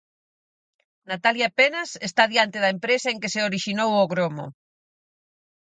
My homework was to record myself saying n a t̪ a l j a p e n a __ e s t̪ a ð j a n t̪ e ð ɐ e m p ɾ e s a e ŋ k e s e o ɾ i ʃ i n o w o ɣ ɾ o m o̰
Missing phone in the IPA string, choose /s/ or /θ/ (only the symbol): s